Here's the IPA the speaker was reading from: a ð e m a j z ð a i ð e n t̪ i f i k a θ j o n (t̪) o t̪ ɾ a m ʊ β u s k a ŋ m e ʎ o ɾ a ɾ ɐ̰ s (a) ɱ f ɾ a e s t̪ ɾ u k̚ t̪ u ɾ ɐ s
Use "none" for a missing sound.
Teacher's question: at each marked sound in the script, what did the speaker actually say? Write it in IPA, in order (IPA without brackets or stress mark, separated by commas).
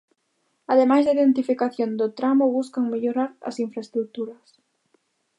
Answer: d̪, i